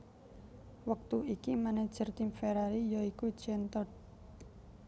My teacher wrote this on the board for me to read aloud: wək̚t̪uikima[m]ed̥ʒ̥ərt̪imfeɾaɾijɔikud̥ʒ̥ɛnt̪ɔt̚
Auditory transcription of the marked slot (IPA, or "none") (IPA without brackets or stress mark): n